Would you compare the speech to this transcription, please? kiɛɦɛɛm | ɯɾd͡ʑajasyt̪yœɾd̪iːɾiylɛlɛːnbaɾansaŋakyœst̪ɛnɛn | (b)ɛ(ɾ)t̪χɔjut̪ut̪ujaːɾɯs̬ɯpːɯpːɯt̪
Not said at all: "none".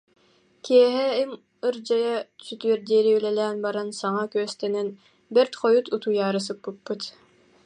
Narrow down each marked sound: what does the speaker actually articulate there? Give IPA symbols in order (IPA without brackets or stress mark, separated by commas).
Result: b, ɾ